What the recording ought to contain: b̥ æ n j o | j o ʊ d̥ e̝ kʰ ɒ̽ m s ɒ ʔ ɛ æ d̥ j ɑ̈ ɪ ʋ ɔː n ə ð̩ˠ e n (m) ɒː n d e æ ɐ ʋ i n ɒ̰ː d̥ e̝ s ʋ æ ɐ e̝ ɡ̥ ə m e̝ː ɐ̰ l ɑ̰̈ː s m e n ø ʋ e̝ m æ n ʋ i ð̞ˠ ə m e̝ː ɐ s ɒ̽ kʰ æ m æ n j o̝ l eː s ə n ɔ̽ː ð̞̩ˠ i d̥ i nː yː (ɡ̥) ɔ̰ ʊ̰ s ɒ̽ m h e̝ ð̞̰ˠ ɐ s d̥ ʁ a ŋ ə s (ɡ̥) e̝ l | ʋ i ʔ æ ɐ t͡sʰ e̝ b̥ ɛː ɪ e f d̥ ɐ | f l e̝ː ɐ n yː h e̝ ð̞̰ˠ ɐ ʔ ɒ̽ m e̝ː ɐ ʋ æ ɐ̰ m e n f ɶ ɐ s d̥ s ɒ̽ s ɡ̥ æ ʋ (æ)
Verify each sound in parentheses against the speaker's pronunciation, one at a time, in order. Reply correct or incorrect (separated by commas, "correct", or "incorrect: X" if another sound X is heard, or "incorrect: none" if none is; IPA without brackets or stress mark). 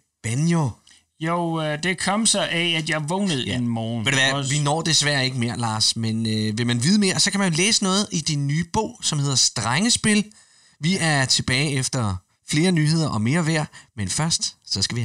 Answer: correct, incorrect: b̥, incorrect: b̥, incorrect: i